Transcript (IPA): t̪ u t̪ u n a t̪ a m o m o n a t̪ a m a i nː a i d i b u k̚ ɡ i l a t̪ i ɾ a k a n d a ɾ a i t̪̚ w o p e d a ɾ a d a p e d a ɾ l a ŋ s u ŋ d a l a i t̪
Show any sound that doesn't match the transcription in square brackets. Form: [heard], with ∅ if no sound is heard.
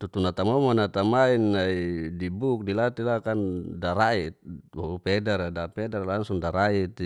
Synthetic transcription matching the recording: t̪ u t̪ u n a t̪ a m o m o n a t̪ a m a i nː a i d i b u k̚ [d] i l a t̪ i [l] a k a n d a ɾ a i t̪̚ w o p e d a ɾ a d a p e d a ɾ l a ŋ s u ŋ d a [ɾ] a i t̪